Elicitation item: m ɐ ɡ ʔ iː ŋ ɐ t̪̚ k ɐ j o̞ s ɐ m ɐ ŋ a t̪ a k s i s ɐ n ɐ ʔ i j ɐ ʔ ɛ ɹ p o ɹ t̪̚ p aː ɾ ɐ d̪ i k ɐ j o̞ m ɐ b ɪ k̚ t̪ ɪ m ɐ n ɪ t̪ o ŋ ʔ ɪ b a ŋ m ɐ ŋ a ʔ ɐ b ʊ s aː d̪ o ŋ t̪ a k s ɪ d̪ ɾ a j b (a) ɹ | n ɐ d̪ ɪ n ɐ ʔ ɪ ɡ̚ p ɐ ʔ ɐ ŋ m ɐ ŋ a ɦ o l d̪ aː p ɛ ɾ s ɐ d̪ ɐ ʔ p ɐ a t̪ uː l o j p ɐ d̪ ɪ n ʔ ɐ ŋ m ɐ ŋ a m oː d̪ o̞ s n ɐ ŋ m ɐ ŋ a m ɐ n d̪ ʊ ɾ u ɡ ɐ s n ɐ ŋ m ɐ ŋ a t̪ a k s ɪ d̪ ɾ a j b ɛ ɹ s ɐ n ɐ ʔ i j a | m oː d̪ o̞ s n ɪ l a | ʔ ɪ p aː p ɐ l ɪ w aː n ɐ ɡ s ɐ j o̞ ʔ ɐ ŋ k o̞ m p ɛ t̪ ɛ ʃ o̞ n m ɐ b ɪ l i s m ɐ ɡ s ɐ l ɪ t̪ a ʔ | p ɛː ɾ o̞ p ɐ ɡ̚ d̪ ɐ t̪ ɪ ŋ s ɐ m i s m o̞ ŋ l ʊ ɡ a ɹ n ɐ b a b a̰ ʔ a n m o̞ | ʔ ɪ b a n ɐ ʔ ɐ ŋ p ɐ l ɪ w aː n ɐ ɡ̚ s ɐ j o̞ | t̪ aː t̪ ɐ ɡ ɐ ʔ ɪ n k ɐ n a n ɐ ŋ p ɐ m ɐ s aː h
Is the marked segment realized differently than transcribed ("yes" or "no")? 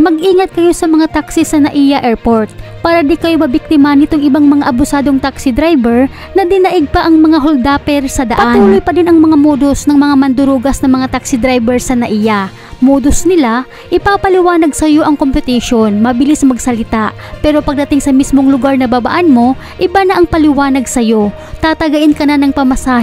yes